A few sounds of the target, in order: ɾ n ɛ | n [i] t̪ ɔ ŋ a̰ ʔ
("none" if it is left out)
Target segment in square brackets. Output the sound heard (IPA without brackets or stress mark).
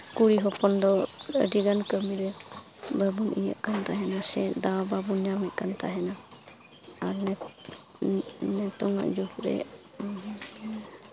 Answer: ɛ